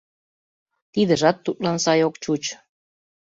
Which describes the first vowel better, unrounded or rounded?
unrounded